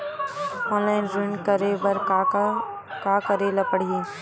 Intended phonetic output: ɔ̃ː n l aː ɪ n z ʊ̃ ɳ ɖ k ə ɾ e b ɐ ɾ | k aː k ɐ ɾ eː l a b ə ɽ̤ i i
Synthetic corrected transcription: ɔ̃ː n l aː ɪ n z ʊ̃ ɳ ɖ k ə ɾ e b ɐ ɾ | k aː k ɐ ɾ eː l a p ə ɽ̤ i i